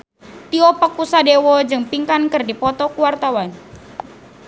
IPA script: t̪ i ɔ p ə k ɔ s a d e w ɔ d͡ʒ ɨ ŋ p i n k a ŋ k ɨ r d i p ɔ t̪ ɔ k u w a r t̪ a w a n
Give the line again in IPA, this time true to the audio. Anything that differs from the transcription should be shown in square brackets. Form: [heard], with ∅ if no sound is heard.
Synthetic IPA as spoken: t̪ i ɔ p ə k [u] s a d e w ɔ d͡ʒ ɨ ŋ p i [ŋ] k a [n] k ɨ r d i p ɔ t̪ ɔ k u w a r t̪ a w a n